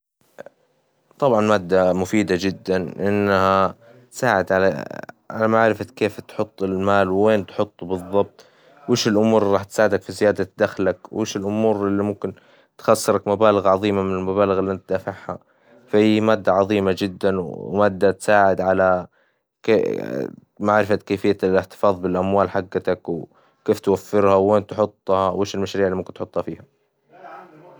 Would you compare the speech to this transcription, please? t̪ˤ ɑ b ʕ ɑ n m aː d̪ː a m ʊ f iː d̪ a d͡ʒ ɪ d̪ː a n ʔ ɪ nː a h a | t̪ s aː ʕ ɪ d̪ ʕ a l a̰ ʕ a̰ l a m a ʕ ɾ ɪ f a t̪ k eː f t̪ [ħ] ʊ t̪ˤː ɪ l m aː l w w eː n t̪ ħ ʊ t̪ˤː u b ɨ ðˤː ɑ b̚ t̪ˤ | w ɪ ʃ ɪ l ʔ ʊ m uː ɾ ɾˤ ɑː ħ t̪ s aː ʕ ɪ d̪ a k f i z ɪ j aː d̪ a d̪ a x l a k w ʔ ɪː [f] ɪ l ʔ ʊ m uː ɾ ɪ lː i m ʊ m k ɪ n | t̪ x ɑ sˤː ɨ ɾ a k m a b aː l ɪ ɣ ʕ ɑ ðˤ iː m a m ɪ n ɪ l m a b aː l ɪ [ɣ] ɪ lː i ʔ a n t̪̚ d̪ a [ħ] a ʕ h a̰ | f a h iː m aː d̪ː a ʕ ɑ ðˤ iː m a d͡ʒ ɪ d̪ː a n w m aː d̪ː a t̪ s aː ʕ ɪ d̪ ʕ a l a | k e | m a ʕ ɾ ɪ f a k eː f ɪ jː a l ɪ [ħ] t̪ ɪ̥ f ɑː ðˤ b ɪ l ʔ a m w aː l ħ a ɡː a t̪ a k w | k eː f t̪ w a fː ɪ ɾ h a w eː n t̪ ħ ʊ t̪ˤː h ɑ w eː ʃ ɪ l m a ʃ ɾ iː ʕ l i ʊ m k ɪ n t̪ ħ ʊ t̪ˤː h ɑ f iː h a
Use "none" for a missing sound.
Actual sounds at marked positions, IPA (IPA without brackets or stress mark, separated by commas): ħ, ʃ, ɣ, f, ħ